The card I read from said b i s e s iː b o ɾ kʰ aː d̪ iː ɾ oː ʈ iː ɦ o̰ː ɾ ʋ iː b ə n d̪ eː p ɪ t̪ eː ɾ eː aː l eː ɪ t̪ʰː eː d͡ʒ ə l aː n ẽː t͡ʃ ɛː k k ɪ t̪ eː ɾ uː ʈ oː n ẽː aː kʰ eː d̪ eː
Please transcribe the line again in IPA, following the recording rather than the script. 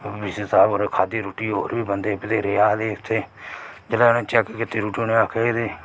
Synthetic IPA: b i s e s aː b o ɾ kʰ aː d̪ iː ɾ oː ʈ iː ɦ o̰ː ɾ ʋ iː b ə n d̪ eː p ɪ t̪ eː ɾ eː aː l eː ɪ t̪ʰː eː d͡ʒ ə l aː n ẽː t͡ʃ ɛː k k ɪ t̪ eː ɾ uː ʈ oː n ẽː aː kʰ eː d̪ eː